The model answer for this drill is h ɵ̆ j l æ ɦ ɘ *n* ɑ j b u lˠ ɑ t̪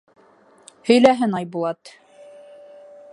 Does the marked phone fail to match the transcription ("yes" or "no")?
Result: no